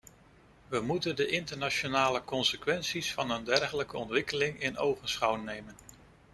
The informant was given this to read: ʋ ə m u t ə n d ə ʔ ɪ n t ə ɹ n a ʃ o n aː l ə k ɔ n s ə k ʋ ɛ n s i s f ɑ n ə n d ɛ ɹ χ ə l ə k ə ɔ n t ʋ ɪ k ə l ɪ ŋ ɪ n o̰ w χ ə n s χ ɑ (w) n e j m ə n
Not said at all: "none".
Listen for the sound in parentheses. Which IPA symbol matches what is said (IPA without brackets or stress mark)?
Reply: w